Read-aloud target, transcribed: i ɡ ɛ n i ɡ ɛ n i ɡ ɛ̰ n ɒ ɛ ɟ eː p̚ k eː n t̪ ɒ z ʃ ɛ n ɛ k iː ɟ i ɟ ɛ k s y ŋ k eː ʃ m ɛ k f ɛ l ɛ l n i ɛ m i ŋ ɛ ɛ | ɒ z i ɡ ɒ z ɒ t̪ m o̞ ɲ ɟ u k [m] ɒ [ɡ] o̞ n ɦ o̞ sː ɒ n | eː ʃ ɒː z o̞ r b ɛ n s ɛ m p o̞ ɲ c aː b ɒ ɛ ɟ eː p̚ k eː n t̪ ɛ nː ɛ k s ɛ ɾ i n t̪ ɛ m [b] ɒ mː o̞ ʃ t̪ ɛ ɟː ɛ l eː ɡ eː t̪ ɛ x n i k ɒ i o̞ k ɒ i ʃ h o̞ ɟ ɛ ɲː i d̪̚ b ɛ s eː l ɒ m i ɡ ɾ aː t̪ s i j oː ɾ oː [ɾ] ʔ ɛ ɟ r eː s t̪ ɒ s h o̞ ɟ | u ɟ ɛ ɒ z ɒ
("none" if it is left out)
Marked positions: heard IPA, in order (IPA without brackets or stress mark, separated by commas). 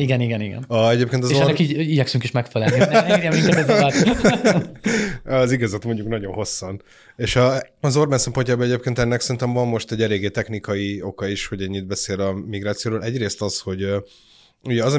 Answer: n, ɟ, v, l